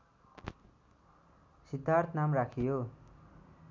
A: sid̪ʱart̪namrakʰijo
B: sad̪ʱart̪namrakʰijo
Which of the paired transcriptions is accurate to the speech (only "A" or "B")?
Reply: A